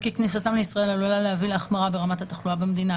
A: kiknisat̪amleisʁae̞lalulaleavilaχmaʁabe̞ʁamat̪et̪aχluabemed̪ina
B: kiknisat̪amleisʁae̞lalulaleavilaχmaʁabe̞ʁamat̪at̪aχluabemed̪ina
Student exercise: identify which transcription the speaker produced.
B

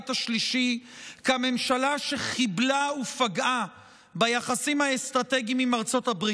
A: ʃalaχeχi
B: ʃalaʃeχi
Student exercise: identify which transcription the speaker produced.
B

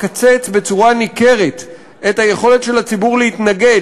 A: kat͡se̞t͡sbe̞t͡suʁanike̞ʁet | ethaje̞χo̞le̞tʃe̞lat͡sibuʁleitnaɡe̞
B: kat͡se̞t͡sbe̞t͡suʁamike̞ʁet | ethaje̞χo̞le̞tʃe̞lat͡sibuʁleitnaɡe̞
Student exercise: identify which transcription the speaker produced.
A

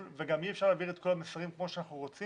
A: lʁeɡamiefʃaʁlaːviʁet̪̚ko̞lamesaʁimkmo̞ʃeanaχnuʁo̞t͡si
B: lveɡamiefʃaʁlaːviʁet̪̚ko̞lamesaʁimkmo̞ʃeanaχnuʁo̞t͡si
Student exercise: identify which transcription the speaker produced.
B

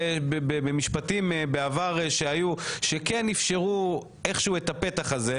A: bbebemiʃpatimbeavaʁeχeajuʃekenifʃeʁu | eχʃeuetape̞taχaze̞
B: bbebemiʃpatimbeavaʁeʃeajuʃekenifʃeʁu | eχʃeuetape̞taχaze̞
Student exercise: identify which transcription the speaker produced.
B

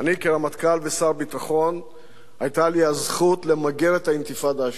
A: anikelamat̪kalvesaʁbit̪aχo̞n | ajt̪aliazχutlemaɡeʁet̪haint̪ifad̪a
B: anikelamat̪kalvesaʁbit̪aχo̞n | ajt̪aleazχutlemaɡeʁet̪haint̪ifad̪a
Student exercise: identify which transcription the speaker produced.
A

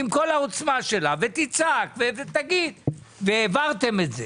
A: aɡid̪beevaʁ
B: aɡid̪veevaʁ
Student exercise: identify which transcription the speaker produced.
B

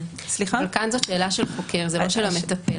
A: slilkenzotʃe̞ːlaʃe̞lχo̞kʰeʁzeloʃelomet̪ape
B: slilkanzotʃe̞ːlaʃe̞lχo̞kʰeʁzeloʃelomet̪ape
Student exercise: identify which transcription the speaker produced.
B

